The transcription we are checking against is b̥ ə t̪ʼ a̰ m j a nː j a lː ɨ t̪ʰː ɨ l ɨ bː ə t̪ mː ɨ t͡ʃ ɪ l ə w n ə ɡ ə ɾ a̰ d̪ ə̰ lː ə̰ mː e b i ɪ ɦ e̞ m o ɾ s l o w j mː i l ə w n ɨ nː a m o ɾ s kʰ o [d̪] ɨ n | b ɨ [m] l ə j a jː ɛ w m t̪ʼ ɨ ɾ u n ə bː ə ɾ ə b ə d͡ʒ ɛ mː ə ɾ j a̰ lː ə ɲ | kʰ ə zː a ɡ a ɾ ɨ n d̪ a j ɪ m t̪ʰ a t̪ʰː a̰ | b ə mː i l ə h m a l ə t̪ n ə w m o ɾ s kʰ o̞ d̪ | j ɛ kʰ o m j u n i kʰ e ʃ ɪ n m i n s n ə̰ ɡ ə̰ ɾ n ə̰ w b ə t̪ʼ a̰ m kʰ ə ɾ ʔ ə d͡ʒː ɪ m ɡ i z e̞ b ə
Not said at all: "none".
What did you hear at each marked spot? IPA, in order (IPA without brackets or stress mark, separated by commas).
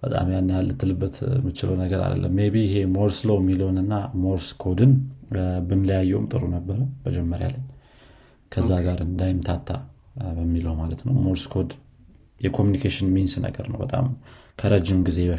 d̪, n